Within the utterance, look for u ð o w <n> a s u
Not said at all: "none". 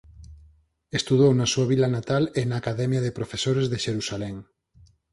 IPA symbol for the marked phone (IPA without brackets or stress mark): n